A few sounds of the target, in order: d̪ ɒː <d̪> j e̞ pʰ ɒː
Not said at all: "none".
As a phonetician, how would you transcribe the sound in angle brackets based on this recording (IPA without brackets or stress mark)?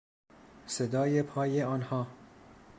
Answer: none